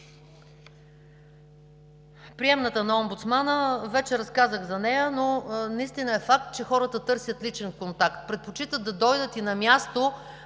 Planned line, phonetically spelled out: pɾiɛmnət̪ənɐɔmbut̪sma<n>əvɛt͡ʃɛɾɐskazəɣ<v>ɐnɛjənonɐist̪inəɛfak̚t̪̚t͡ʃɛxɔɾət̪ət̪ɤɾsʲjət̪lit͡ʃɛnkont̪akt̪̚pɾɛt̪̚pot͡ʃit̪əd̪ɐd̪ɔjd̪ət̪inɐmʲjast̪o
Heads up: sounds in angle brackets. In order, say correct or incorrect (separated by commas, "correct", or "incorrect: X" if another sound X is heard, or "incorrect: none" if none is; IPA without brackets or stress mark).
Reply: correct, incorrect: z